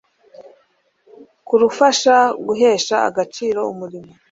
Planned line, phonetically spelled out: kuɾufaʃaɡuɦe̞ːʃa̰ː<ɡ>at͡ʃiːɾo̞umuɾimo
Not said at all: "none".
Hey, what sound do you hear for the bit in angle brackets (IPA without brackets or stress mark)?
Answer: ɡ